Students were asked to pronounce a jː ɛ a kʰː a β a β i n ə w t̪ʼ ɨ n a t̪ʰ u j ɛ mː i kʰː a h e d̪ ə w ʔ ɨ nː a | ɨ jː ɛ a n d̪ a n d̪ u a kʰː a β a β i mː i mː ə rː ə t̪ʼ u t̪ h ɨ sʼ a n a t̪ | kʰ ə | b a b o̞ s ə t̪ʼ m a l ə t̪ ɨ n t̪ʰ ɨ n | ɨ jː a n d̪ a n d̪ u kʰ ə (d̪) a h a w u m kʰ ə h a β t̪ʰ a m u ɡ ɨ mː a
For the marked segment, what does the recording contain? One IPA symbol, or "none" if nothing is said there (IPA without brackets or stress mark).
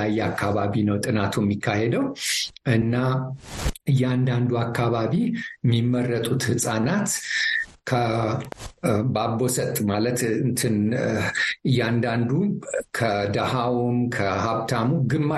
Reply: d̪